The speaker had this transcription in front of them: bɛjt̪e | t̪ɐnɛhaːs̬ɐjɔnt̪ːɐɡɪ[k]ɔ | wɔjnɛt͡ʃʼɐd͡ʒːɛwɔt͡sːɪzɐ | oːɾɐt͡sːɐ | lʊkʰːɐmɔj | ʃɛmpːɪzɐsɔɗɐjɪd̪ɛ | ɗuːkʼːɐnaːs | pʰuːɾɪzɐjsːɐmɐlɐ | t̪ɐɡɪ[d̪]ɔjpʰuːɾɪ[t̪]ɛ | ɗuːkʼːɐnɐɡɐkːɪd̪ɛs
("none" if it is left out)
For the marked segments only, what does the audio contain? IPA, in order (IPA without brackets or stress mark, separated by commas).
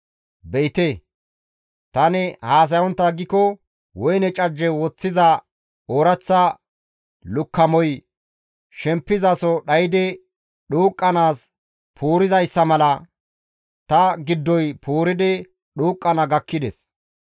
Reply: k, d̪ː, d̪